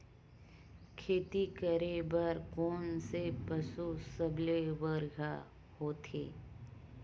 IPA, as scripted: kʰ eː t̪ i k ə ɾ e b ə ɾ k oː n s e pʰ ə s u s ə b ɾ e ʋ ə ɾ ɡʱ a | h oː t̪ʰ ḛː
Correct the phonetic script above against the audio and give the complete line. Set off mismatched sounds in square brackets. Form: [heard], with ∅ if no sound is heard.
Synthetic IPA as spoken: kʰ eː t̪ i k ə ɾ e b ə ɾ k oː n s e [p] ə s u s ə b [l] e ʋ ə ɾ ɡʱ a | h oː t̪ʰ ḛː